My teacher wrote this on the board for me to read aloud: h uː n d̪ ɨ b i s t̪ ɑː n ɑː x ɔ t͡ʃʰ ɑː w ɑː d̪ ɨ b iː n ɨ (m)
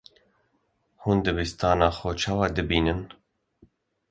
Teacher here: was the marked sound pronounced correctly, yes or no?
no